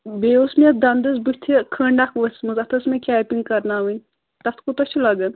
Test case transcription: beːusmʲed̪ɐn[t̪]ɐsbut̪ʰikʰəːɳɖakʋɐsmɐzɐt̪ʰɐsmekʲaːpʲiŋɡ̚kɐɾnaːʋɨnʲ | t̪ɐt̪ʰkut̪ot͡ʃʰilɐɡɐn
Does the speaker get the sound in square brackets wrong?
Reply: yes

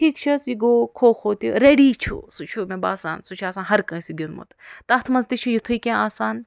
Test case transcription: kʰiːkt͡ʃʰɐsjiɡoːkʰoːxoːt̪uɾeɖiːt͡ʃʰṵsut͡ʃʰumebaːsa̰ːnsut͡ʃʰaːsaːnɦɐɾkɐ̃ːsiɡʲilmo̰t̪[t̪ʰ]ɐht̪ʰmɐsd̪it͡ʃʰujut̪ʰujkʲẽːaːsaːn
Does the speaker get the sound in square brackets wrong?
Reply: yes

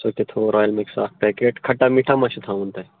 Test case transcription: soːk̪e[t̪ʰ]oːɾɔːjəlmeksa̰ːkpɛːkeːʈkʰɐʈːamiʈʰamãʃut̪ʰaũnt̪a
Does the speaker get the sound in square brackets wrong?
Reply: no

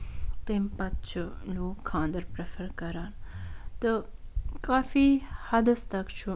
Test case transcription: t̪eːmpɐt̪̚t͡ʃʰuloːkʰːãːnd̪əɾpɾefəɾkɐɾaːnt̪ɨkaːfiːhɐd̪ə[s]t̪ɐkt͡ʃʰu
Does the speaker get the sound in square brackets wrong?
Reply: no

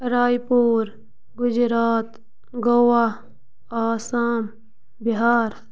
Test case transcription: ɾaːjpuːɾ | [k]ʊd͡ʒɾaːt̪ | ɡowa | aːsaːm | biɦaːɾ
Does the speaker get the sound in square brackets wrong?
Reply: yes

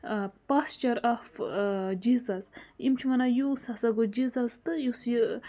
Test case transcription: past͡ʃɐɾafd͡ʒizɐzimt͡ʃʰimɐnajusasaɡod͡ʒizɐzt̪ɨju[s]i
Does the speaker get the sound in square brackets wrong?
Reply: no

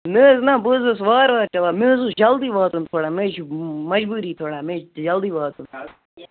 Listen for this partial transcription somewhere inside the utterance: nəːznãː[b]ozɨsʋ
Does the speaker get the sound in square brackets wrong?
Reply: no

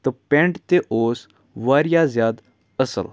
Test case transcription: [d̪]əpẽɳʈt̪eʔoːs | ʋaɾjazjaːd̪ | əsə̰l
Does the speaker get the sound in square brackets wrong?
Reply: yes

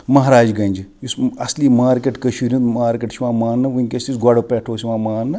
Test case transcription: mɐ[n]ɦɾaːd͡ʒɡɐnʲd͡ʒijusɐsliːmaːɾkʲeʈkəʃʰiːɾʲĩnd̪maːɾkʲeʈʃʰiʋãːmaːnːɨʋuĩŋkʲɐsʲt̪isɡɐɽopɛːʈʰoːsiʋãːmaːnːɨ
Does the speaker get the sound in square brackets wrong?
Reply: yes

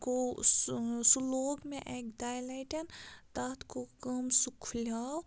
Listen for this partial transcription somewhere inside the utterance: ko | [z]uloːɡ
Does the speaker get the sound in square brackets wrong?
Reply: yes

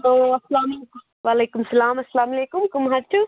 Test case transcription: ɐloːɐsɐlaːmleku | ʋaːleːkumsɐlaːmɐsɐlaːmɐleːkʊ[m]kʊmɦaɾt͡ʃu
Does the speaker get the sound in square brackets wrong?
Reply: no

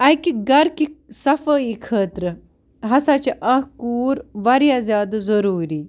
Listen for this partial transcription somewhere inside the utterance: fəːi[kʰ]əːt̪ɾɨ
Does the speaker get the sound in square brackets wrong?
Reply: no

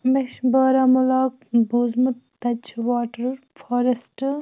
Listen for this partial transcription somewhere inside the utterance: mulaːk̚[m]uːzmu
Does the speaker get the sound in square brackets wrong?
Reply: yes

